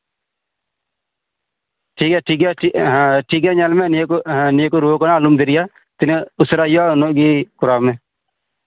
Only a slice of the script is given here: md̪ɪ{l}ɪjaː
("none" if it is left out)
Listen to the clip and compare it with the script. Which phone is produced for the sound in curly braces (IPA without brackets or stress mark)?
ɾ